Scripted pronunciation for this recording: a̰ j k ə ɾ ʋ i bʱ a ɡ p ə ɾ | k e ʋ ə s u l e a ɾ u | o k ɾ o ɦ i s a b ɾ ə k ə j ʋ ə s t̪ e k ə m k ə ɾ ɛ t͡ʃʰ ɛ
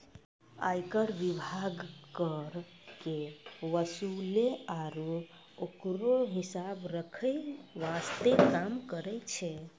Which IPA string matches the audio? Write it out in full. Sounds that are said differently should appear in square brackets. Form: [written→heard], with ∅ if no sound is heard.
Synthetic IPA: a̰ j k ə ɾ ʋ i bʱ a ɡ [p→k] ə ɾ | k e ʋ ə s u l e a ɾ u | o k ɾ o ɦ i s a b ɾ ə [k→kʰ] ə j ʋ [ə→a] s t̪ e k [ə→a] m k ə ɾ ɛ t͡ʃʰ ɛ